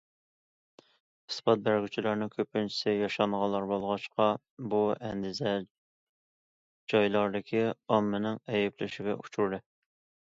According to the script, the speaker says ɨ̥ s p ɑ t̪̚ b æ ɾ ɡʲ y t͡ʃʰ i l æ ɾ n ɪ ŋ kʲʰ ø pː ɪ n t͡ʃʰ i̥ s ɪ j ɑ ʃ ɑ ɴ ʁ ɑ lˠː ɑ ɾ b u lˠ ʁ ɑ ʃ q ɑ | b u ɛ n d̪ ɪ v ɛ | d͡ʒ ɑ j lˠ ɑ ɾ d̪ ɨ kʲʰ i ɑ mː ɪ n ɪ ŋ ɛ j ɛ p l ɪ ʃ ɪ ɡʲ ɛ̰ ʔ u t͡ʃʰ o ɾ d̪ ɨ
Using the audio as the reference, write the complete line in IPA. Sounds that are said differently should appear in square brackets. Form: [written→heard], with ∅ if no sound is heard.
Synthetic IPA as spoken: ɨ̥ s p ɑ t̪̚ b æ ɾ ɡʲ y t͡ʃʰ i l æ ɾ n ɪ ŋ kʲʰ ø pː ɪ n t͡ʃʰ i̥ s ɪ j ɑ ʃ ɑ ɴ ʁ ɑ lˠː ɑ ɾ b [u→o] lˠ ʁ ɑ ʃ q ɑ | b u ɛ n d̪ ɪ [v→z] ɛ | d͡ʒ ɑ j lˠ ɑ ɾ d̪ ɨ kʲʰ i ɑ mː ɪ n ɪ ŋ ɛ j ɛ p l ɪ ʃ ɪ ɡʲ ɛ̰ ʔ u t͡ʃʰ [o→u] ɾ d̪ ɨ